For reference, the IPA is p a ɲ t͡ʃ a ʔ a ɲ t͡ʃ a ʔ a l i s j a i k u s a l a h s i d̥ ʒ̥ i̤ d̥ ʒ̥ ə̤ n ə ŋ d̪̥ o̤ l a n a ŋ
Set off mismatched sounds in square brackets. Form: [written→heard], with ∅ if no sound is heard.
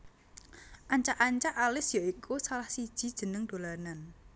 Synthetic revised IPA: [p→ʔ] a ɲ t͡ʃ a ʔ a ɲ t͡ʃ a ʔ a l [i→ɪ] s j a i k u s a l a h s i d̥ ʒ̥ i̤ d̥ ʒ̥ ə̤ n ə ŋ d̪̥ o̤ l a n a [ŋ→n]